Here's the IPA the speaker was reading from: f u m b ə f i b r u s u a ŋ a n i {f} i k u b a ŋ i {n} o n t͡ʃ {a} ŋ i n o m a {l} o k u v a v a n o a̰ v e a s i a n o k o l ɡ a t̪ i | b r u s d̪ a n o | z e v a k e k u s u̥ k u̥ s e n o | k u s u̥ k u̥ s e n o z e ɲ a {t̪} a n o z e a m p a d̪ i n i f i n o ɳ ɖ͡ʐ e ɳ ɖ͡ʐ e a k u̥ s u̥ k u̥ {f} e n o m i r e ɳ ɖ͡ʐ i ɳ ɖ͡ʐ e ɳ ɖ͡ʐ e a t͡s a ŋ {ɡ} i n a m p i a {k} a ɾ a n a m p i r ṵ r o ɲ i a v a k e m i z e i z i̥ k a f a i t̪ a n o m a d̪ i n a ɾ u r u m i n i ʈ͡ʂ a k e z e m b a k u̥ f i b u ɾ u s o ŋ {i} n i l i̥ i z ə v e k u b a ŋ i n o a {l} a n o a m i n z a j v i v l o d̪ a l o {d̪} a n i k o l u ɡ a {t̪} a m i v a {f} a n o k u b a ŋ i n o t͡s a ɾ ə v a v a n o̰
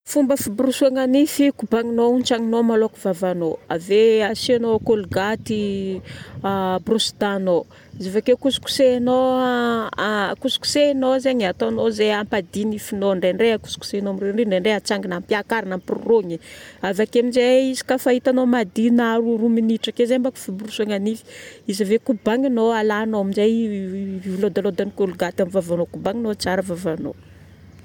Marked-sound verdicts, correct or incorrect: correct, correct, correct, correct, correct, incorrect: s, correct, correct, incorrect: a, correct, correct, correct, incorrect: v

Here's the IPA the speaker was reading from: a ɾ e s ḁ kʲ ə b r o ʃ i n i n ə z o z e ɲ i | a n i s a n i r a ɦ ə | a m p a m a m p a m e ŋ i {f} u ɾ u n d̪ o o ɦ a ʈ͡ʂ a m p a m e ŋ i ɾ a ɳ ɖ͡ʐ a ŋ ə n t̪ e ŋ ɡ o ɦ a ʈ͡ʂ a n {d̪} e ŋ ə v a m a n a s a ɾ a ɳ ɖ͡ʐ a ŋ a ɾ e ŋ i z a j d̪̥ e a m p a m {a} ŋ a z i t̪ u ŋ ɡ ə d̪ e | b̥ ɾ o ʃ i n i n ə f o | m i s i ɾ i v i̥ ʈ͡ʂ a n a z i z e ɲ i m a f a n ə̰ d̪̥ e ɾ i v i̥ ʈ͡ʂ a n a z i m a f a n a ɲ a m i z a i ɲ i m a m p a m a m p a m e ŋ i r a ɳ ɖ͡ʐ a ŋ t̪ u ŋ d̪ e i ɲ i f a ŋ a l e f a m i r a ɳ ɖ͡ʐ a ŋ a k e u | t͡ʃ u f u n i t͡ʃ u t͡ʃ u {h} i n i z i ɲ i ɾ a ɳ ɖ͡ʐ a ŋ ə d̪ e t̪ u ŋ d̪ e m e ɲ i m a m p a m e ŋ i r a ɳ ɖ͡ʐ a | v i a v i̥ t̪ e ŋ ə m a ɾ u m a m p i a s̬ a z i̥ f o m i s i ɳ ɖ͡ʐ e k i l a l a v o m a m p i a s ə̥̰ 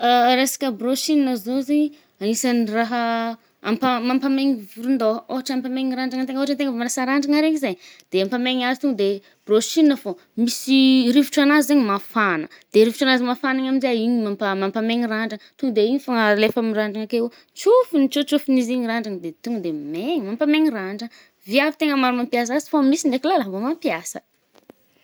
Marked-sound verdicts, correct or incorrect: incorrect: v, incorrect: t̪, incorrect: e, incorrect: f

